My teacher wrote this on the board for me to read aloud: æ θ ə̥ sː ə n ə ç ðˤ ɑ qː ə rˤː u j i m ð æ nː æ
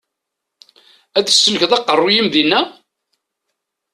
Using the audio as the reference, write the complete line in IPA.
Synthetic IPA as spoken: æ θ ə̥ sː ə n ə ç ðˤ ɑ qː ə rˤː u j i m ð i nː æ